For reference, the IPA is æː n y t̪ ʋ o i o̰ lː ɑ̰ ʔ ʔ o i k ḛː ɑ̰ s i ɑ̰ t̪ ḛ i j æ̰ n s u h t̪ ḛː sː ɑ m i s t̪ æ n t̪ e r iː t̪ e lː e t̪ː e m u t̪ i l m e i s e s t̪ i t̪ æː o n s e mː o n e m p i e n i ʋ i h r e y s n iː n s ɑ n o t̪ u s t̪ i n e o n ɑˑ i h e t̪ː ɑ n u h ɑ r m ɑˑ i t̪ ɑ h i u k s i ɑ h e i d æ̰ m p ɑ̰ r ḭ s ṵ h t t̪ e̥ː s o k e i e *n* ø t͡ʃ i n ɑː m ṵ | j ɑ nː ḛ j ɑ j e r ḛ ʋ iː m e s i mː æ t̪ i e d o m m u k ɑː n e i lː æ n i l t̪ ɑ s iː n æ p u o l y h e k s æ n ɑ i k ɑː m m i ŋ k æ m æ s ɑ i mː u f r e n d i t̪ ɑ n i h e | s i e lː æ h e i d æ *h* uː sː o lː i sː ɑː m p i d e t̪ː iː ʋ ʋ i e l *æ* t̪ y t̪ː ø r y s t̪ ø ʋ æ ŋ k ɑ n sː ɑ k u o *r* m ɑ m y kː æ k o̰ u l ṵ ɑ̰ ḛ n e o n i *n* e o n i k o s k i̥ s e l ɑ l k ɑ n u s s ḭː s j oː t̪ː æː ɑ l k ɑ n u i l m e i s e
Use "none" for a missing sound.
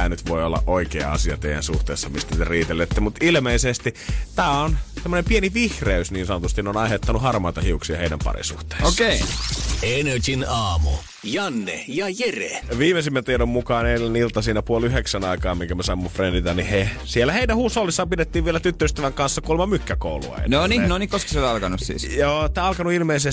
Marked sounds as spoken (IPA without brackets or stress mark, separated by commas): n, h, æ, l, n